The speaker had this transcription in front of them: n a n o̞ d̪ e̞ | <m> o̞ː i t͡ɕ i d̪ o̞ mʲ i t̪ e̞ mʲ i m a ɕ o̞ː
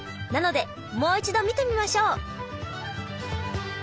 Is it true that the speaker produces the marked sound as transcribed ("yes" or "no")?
yes